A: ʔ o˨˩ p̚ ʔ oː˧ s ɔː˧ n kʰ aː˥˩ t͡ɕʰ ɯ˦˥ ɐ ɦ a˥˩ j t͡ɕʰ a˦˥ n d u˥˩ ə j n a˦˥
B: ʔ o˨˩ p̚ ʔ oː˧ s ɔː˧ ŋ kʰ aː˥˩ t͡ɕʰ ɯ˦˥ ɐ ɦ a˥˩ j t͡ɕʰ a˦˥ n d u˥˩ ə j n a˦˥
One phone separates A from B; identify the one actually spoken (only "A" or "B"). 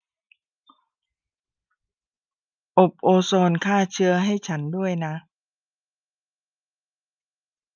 A